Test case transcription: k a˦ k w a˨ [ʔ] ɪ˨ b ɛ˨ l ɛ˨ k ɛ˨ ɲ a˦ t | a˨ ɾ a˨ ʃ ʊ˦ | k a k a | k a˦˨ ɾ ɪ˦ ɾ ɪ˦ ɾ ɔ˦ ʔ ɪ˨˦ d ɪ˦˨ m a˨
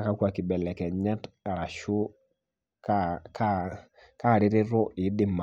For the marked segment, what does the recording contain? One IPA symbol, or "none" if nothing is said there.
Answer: k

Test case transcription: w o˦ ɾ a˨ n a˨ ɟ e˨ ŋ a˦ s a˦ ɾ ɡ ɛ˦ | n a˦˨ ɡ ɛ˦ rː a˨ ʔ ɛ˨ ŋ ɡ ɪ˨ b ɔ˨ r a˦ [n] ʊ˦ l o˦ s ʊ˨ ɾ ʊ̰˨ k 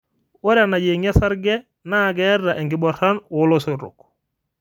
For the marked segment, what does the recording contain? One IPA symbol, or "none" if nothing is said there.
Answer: n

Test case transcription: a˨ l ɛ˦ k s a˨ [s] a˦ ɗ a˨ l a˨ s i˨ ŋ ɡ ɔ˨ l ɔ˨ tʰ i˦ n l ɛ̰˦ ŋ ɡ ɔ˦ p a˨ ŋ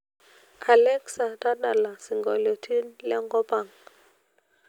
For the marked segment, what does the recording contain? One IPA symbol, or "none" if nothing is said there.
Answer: t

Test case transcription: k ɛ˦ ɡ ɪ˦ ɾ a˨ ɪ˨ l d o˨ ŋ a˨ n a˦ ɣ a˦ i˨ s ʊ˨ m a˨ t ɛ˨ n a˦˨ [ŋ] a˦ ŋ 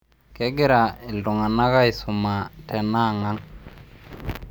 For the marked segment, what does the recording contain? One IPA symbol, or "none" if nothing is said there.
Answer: ŋ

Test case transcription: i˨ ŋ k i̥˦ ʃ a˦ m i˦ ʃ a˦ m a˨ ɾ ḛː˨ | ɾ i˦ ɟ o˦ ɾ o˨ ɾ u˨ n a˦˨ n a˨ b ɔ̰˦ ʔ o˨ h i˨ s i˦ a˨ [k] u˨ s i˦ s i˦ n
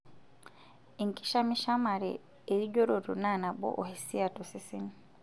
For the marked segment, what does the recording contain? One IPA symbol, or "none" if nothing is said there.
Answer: t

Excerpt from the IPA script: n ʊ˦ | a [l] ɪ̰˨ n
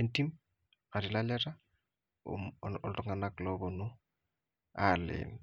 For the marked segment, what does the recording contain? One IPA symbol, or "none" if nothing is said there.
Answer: l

